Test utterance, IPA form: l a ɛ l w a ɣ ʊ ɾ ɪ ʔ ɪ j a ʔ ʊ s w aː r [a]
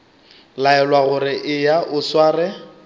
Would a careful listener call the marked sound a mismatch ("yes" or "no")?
yes